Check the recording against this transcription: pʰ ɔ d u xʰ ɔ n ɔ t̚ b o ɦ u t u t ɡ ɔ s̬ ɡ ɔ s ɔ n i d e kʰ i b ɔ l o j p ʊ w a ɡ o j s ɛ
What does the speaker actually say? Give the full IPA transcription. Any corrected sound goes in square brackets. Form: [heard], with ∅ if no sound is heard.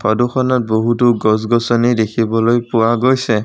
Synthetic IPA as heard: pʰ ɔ d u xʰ ɔ n ɔ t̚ b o ɦ u t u [∅] ɡ ɔ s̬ ɡ ɔ s ɔ n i d e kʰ i b ɔ l o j p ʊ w a ɡ o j s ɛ